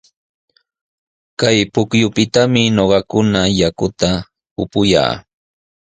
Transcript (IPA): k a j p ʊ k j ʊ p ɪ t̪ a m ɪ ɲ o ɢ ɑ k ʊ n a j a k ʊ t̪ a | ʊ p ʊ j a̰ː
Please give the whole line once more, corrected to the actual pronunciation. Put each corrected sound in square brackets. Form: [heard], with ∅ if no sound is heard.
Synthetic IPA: k a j p ʊ k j ʊ p ɪ t̪ a m ɪ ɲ o ɢ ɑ k ʊ n a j a k ʊ t̪ a | ʊ p ʊ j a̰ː